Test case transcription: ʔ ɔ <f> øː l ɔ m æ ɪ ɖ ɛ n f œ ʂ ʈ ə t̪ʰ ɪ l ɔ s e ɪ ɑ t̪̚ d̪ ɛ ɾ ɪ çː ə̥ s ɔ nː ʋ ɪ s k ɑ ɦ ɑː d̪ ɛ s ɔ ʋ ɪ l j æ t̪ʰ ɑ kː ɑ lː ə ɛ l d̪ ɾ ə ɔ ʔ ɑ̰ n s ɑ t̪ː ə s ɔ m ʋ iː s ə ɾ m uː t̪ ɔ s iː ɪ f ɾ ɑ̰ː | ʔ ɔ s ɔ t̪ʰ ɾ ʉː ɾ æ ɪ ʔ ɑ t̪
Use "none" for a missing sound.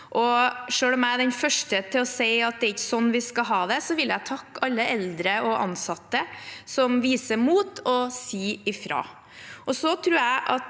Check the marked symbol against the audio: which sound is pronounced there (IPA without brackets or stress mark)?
ʂ